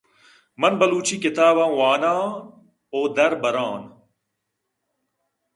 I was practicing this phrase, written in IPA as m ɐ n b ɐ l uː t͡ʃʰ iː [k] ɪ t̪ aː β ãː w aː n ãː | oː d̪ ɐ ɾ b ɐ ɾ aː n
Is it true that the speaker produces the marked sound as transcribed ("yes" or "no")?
yes